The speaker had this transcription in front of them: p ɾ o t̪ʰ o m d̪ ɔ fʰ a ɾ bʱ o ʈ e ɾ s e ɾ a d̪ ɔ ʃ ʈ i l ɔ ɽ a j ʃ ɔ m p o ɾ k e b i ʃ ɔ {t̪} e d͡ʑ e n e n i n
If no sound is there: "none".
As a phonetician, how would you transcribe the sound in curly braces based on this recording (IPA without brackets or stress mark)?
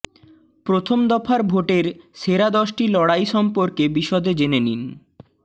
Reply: d̪